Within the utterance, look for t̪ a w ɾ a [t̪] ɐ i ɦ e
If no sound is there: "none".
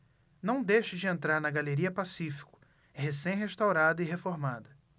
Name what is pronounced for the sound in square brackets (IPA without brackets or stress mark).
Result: d̪